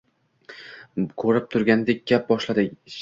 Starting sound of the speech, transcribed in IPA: kʰ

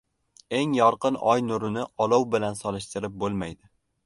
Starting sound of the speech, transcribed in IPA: e̞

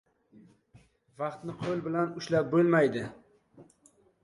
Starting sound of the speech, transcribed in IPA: v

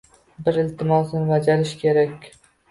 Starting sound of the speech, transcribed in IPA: b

